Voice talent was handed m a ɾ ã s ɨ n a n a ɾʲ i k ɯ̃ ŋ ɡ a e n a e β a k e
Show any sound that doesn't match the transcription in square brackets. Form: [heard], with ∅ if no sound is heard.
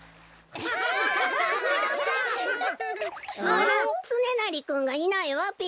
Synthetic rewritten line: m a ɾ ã [t͡s] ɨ n [e] n a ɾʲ i k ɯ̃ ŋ ɡ a [i] n a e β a [p] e

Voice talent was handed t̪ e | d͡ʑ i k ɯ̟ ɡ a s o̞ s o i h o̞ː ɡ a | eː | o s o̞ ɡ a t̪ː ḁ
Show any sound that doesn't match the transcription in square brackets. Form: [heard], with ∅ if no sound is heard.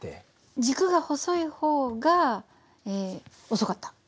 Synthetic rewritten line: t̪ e | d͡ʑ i k ɯ̟ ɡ a [h] o̞ s o i h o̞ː ɡ a | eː | o s o̞ [k] a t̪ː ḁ

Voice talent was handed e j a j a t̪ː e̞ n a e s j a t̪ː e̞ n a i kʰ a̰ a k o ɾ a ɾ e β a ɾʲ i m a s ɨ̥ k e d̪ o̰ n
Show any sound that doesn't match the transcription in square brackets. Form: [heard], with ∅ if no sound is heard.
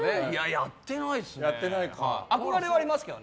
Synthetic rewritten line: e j a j a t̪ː e̞ n a [i] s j a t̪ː e̞ n a i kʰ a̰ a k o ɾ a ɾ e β a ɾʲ i m a s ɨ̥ k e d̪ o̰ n

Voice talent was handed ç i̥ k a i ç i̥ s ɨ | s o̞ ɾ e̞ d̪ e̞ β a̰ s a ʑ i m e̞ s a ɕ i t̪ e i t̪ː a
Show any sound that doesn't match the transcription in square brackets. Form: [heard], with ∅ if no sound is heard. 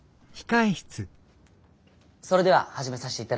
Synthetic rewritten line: ç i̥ k a i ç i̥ [t͡s] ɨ | s o̞ ɾ e̞ d̪ e̞ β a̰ [h] a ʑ i m e̞ s a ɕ i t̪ e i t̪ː a

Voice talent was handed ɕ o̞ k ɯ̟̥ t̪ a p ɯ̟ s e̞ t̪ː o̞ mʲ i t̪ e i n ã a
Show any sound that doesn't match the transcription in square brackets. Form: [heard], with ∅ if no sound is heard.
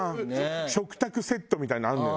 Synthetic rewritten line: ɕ o̞ k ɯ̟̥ t̪ a [k] ɯ̟ s e̞ t̪ː o̞ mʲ i t̪ [a] i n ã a

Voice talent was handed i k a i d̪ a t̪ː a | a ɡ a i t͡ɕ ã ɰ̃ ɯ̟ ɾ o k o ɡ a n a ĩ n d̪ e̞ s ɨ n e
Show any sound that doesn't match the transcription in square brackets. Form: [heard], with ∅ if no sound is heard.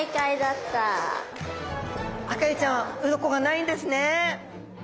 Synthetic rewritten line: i k a i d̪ a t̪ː a | a [k] a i t͡ɕ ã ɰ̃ ɯ̟ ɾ o k o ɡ a n a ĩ n d̪ e̞ s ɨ n e

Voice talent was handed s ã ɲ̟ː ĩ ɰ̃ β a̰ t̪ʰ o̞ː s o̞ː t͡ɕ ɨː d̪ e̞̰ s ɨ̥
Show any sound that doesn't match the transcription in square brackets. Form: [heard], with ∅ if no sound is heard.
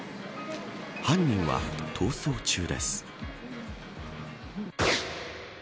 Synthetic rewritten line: [h] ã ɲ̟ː ĩ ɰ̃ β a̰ t̪ʰ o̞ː s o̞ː t͡ɕ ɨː d̪ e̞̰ s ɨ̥

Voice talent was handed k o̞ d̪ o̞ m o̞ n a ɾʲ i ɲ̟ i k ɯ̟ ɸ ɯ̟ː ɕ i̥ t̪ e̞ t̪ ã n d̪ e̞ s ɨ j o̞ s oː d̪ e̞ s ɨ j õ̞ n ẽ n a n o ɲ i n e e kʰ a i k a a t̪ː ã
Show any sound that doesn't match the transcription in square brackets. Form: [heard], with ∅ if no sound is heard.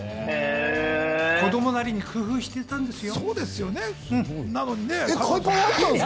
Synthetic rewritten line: k o̞ d̪ o̞ m o̞ n a ɾʲ i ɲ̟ i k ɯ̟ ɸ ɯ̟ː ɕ i̥ t̪ e̞ t̪ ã n d̪ e̞ s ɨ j o̞ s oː d̪ e̞ s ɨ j [o̞] n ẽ n a n o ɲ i n e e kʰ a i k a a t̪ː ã

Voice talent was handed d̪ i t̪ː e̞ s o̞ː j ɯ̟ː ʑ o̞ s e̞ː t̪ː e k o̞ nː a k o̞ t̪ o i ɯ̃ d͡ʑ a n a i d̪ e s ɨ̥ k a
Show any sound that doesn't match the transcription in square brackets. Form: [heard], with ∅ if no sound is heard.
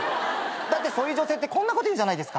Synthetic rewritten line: d̪ [a] t̪ː e̞ s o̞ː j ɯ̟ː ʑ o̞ s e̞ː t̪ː e k [õ̞] nː a k o̞ t̪ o i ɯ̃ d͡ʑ a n a i d̪ e s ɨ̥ k a

